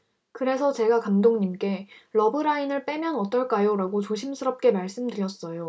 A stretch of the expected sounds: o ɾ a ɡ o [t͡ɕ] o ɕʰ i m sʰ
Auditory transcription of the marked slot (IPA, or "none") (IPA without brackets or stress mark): t͡ɕ